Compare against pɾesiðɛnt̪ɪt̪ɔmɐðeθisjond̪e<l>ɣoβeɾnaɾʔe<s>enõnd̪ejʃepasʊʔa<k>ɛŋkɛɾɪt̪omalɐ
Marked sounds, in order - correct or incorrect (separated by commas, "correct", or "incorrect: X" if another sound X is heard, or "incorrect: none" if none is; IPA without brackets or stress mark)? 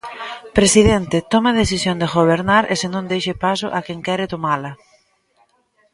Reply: incorrect: none, correct, correct